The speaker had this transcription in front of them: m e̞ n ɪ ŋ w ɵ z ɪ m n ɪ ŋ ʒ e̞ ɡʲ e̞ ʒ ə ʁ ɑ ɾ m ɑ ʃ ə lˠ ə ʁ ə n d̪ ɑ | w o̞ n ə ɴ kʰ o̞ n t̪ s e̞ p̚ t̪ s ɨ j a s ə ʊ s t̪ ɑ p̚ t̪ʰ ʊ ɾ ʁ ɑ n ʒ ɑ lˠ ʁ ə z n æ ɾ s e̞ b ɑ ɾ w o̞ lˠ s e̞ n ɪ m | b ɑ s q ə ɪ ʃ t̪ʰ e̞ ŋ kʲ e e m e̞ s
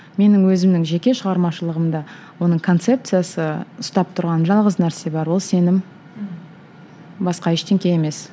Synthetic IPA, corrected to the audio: m e̞ n ɪ ŋ w ɵ z ɪ m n ɪ ŋ ʒ e̞ kʲ e̞ ʃ ə ʁ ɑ ɾ m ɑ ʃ ə lˠ ə ʁ ə m d̪ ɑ | w o̞ n ə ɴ kʰ o̞ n t̪ s e̞ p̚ t̪ s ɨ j a s ə ʊ s t̪ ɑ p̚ t̪ʰ ʊ ɾ ʁ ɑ n ʒ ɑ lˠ ʁ ə z n æ ɾ s e̞ b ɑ ɾ w o̞ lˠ s e̞ n ɪ m | b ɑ s q ɑ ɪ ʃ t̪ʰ e̞ ŋ kʲ e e m e̞ s